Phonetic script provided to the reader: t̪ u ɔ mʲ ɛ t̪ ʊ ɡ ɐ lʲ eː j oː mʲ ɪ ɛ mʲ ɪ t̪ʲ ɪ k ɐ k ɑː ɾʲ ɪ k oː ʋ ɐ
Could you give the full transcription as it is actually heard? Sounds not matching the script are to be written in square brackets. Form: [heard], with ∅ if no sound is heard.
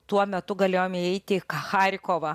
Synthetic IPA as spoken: t̪ u ɔ mʲ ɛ t̪ ʊ ɡ ɐ lʲ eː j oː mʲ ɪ ɛ [∅] ɪ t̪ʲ ɪ k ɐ [x] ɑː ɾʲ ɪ k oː ʋ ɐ